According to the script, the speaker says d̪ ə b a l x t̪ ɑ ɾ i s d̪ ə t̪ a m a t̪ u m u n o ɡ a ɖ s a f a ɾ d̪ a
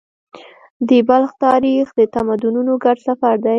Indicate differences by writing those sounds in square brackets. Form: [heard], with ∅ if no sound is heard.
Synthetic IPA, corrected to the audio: d̪ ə b a l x t̪ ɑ ɾ i [x] d̪ ə t̪ a m a [d̪] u [n] u n o ɡ a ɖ s a f a ɾ d̪ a